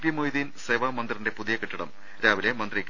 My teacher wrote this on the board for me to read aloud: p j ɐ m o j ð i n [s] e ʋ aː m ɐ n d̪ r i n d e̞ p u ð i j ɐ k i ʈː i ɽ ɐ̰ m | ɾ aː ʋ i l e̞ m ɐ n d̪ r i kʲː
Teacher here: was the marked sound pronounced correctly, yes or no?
yes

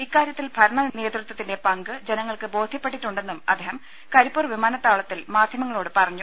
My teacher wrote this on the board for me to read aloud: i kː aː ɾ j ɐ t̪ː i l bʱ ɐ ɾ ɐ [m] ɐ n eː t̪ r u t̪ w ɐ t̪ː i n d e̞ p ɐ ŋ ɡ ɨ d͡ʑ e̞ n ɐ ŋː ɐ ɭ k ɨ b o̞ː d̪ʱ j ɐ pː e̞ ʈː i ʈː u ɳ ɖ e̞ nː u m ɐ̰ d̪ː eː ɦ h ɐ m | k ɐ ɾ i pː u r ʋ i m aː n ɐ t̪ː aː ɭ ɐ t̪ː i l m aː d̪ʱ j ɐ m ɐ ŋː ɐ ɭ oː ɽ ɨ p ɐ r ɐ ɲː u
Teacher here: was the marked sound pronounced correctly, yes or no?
no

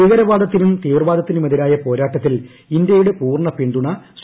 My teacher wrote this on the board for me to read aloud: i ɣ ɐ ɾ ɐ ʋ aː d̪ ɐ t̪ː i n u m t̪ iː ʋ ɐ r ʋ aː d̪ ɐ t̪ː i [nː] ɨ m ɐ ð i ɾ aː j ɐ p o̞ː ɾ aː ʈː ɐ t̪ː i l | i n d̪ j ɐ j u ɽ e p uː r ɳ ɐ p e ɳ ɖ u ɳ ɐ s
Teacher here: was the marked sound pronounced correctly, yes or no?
no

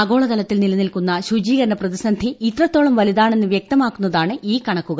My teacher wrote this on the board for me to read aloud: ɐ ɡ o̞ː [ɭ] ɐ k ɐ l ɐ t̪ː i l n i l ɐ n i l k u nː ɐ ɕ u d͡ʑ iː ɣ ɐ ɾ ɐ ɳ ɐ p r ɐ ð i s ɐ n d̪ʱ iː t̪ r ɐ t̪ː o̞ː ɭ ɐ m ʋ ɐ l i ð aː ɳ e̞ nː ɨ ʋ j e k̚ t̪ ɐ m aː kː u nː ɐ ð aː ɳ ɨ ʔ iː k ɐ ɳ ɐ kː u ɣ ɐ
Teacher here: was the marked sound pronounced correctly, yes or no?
yes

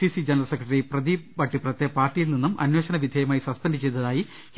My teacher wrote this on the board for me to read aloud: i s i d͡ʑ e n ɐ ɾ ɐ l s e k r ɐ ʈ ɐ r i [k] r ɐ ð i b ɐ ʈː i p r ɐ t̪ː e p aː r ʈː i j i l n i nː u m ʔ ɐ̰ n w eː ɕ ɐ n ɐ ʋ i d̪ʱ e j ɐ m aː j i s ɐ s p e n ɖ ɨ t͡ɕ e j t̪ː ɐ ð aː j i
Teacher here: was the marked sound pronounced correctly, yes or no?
no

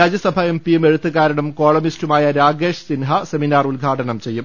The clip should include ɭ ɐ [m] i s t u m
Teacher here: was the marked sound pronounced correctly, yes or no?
yes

